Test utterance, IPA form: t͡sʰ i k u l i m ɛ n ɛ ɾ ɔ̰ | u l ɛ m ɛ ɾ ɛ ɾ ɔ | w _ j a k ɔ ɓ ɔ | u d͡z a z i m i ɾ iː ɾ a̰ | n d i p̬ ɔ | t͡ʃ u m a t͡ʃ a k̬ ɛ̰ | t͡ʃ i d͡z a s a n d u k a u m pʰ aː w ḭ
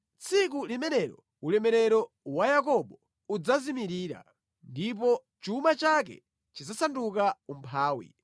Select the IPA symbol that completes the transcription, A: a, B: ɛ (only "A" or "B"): A